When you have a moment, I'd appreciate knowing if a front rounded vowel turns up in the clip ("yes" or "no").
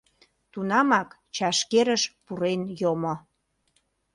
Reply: no